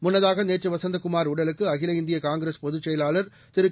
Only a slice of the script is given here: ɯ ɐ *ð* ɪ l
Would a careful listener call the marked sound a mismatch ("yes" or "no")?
yes